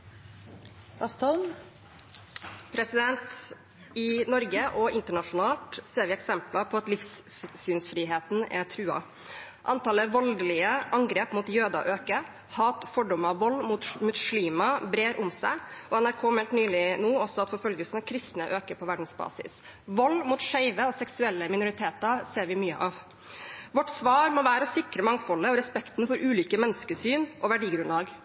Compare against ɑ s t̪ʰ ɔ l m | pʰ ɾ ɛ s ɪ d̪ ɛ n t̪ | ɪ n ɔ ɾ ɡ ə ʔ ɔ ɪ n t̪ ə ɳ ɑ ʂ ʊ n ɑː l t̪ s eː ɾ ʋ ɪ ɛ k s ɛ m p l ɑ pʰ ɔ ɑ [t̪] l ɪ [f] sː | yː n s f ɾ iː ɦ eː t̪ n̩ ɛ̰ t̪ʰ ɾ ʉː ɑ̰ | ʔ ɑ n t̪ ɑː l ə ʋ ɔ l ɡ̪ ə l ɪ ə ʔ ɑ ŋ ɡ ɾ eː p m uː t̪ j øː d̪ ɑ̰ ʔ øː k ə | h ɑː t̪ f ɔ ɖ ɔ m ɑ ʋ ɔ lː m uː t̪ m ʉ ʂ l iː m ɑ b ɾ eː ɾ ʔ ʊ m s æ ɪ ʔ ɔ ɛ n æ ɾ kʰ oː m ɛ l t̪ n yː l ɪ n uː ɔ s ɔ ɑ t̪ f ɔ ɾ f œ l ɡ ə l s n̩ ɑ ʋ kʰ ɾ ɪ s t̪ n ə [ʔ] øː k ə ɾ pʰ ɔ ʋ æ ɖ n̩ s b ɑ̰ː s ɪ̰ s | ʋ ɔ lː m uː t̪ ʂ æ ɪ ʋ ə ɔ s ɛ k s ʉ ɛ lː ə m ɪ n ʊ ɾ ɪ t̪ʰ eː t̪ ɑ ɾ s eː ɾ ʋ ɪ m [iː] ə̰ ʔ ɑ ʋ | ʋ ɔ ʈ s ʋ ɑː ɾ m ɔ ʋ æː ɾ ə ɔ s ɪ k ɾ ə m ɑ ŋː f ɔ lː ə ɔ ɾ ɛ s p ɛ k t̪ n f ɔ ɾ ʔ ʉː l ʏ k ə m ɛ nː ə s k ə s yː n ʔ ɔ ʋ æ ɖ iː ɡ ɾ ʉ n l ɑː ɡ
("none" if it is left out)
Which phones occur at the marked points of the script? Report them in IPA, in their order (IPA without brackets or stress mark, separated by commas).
t̪, f, ʔ, yː